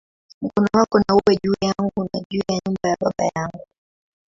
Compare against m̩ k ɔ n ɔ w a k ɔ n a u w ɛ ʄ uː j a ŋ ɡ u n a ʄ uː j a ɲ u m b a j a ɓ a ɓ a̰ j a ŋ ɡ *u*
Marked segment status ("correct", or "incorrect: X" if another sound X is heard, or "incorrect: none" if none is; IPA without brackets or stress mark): correct